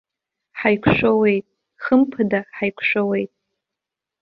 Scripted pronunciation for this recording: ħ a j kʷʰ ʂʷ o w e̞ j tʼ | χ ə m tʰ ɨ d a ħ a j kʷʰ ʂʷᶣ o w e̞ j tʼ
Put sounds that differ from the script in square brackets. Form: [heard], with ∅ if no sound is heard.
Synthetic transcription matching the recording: ħ a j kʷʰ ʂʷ o w e̞ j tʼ | χ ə m [pʰ] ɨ d a ħ a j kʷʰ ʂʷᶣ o w e̞ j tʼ